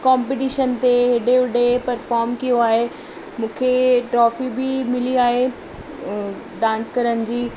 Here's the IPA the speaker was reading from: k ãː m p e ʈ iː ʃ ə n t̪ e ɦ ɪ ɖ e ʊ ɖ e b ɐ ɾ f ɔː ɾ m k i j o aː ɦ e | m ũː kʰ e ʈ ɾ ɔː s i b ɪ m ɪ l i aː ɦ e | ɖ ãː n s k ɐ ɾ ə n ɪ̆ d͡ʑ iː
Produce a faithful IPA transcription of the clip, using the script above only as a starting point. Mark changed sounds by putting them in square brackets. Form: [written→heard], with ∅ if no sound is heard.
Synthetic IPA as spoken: k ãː m p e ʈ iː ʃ ə n t̪ e ɦ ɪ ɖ e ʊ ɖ e [b→p] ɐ ɾ f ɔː ɾ m k i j o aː ɦ e | m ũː kʰ e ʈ ɾ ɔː [s→f] i b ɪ m ɪ l i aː ɦ e | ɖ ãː n s k ɐ ɾ ə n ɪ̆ d͡ʑ iː